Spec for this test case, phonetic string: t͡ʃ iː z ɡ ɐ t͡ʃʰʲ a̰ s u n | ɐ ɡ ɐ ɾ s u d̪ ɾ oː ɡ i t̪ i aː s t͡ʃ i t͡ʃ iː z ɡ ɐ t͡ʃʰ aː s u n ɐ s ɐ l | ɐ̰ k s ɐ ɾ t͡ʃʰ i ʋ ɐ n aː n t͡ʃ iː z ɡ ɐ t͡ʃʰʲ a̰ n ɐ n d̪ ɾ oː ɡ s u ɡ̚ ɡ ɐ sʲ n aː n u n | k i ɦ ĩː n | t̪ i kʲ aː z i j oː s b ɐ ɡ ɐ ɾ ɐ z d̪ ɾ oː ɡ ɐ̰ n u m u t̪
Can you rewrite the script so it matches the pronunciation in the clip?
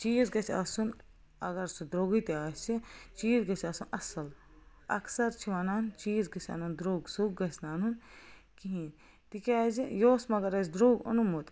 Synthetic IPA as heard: t͡ʃ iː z ɡ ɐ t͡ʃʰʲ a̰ s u n | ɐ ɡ ɐ ɾ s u d̪ ɾ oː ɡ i t̪ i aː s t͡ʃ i t͡ʃ iː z ɡ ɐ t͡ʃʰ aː s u n ɐ s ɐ l | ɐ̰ k s ɐ ɾ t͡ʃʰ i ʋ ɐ n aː n t͡ʃ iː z ɡ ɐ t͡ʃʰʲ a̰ n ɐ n d̪ ɾ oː ɡ s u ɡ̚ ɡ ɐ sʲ n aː n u n | k i ɦ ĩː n | t̪ i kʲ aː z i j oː s m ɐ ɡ ɐ ɾ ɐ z d̪ ɾ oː ɡ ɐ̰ n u m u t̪